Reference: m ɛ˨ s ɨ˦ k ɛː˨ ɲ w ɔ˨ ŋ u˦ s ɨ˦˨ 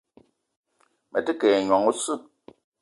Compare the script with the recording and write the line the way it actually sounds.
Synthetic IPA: m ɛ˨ t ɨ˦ k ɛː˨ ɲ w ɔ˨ ŋ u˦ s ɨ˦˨

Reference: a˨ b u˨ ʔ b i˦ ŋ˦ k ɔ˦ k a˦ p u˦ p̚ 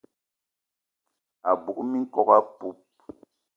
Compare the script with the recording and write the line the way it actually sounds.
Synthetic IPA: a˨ b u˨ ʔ m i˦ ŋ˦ k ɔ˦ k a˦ p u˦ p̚

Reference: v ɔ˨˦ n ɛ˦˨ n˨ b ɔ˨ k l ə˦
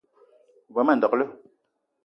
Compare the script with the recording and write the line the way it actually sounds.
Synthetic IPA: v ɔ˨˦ m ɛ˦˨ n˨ d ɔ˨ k l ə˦

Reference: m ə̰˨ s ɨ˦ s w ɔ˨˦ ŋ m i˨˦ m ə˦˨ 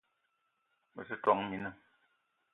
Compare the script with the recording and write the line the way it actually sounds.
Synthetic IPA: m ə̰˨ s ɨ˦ t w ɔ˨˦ ŋ m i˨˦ n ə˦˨

